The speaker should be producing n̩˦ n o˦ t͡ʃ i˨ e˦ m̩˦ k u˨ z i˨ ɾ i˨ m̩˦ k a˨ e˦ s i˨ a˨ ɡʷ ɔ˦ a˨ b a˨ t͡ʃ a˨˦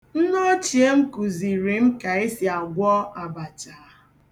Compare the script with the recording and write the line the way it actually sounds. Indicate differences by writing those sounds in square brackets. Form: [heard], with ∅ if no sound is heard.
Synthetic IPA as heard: n̩˦ n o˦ t͡ʃ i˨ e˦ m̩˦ k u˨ z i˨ ɾ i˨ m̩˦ k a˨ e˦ s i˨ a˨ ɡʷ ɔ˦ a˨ b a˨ t͡ʃ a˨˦